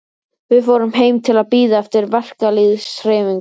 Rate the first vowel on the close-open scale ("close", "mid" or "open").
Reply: close